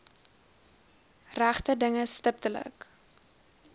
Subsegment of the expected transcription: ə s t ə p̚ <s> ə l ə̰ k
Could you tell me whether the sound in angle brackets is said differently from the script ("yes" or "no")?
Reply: yes